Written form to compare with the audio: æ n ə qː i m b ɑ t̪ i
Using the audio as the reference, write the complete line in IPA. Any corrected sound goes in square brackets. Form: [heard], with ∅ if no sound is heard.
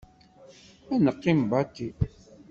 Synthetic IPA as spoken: æ n ə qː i m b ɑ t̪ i